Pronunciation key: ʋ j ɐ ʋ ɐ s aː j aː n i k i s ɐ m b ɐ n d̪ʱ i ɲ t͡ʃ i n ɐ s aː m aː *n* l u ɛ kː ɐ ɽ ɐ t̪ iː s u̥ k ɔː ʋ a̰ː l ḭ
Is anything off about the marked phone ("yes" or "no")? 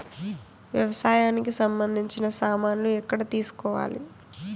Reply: no